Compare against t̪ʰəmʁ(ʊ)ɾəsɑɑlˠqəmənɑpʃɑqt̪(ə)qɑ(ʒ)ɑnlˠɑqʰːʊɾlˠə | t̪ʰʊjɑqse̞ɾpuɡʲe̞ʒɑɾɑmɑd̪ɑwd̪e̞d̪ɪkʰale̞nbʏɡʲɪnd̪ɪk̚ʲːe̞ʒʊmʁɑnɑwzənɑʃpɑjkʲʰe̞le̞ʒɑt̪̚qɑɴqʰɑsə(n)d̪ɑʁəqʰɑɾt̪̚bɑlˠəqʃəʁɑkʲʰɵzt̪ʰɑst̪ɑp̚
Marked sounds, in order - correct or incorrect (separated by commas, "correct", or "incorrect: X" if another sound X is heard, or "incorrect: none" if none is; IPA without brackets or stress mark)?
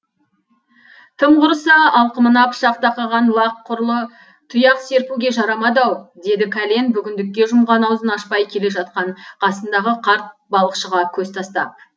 correct, incorrect: ɑ, incorrect: ʁ, correct